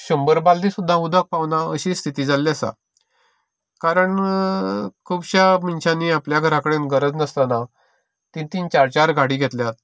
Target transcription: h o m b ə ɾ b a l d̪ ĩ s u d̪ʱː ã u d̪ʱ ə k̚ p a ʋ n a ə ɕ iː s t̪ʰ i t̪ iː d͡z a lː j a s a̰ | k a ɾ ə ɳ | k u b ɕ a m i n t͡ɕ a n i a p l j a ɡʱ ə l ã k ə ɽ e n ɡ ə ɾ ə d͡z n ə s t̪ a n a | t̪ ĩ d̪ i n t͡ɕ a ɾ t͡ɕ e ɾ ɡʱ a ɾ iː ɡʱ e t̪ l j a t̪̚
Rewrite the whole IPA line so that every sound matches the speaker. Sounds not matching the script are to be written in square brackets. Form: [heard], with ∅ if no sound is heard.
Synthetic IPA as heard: [ɕ] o m b ə ɾ b a l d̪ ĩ s u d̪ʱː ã u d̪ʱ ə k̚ p a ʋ n a ə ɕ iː s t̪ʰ i t̪ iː d͡z a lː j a s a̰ | k a ɾ ə ɳ | [kʰ] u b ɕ a m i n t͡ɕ a n i a p l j a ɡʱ ə [ɾ] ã k ə ɽ e n ɡ ə ɾ ə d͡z n ə s t̪ a n a | t̪ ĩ [t̪] i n t͡ɕ a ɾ t͡ɕ [a] ɾ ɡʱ a [ɽ] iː ɡʱ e t̪ l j a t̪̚